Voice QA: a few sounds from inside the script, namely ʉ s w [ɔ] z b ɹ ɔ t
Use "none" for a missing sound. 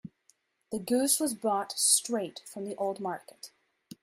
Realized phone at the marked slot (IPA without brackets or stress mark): ʌ